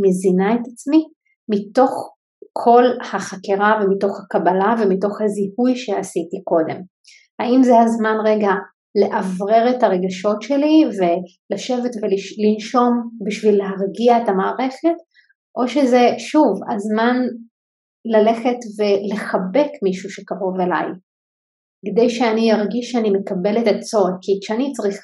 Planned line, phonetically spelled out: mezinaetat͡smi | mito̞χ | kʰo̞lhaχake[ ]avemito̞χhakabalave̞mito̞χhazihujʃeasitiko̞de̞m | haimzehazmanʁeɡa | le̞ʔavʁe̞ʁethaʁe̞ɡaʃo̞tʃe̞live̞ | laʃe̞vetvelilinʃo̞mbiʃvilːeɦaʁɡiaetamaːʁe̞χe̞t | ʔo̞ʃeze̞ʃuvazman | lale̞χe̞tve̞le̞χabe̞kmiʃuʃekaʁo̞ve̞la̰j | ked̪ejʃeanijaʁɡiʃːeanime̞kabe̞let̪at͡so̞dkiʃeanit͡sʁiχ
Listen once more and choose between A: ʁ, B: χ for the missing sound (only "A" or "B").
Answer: A